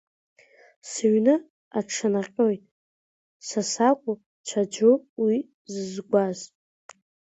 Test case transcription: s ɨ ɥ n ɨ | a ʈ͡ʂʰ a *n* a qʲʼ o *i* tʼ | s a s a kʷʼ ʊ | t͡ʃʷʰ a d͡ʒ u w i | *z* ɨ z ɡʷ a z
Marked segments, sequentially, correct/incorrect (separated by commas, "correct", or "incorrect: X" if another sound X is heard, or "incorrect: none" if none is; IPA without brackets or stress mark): correct, incorrect: j, correct